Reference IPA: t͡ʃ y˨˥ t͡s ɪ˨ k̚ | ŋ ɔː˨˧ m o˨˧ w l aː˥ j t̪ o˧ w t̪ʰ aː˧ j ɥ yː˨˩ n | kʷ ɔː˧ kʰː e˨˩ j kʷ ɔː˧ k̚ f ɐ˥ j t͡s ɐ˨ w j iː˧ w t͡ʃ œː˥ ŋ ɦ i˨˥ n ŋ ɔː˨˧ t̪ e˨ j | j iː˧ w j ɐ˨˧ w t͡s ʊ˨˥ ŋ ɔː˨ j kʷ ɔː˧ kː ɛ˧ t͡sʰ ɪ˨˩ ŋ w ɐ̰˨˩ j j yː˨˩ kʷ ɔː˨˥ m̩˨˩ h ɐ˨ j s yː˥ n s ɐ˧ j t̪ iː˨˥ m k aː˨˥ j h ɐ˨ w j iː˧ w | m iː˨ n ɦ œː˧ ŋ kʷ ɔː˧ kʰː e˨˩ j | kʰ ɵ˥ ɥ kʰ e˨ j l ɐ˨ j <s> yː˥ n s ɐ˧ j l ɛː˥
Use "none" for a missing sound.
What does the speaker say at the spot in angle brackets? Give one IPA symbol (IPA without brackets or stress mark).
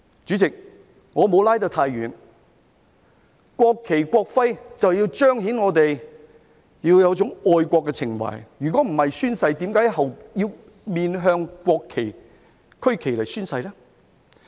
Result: s